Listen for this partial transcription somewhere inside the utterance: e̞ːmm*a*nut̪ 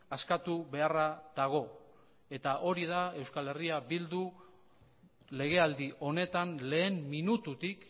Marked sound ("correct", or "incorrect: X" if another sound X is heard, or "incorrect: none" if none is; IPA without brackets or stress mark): incorrect: i